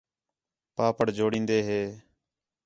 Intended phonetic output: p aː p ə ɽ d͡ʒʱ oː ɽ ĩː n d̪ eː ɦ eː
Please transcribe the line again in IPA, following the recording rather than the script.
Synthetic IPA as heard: p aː p ə ɽ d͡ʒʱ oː ɽ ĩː n d̪ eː ɦ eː